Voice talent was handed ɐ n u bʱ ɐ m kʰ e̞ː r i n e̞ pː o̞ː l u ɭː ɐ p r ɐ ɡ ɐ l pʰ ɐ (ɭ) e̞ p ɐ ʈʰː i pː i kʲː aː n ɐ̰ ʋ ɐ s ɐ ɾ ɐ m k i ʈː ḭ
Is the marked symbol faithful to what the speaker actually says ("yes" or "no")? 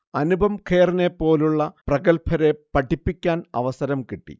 no